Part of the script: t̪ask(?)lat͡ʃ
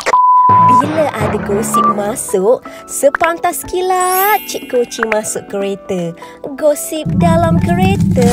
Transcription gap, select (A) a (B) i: B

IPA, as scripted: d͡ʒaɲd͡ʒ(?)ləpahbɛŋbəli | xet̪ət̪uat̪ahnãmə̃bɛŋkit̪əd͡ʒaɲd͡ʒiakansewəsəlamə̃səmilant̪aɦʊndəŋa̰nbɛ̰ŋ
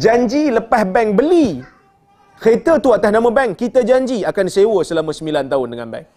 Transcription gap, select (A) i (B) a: A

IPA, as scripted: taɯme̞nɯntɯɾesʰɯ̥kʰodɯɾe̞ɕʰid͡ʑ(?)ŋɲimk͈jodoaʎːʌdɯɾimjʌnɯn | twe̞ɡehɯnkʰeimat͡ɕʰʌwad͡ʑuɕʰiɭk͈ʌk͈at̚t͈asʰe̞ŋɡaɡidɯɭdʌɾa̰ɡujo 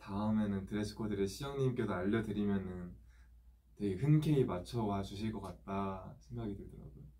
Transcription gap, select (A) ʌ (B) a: A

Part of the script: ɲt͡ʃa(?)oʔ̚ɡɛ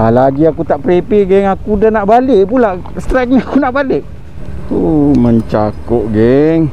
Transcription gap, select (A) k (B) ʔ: A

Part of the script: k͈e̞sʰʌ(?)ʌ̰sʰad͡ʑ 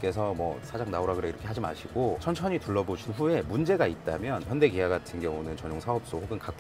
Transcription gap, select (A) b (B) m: B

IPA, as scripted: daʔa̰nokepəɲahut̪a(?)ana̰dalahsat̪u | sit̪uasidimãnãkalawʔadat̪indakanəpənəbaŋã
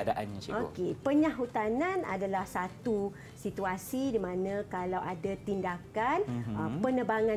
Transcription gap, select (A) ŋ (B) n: B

